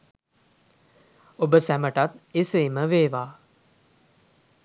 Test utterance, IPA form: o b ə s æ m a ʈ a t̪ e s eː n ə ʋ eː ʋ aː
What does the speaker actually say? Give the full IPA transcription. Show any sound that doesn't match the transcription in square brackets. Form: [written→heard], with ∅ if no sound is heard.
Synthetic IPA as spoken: o b ə s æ m [a→ə] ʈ a t̪ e s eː [n→m] ə ʋ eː ʋ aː